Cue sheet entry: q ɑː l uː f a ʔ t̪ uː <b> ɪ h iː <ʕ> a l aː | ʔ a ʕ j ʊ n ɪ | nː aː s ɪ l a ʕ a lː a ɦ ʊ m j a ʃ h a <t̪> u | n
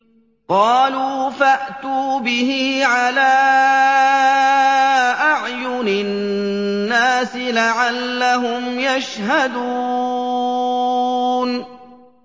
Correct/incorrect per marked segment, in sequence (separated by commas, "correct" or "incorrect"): correct, correct, incorrect